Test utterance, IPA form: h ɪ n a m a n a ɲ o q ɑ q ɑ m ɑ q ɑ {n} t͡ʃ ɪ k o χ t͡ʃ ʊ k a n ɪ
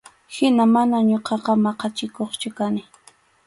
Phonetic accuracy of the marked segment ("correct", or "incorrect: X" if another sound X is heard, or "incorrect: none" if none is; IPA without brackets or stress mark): incorrect: none